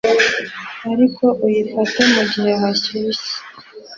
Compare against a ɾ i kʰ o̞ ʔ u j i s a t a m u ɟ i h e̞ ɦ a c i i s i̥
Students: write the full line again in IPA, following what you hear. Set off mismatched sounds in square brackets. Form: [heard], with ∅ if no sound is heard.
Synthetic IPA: a ɾ i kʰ o̞ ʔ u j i [f] a t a m u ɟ i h e̞ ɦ a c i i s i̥